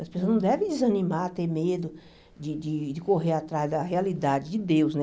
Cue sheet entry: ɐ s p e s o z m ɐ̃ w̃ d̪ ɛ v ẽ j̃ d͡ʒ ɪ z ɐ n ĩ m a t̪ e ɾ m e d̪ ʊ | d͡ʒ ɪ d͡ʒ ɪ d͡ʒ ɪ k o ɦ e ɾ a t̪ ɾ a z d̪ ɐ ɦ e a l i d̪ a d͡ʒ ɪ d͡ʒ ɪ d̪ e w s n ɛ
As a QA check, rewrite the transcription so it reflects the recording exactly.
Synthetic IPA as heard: ɐ s p e s o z n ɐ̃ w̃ d̪ ɛ v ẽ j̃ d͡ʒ ɪ z ɐ n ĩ m a t̪ e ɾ m e d̪ ʊ | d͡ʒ ɪ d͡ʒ ɪ d͡ʒ ɪ k o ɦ e ɾ a t̪ ɾ a z d̪ ɐ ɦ e a l i d̪ a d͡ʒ ɪ d͡ʒ ɪ d̪ e w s n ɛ